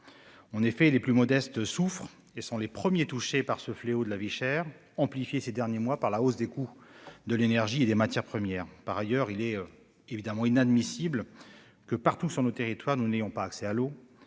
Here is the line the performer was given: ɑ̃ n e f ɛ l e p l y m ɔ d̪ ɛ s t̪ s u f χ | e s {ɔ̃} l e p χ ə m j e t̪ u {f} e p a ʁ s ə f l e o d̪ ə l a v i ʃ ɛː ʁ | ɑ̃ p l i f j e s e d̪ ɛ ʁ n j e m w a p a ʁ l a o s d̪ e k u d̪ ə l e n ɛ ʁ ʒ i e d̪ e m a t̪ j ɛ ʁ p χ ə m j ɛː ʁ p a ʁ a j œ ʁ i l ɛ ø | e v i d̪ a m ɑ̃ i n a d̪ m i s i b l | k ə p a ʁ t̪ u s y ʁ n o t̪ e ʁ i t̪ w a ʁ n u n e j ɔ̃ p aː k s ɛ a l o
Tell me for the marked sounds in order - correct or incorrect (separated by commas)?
correct, incorrect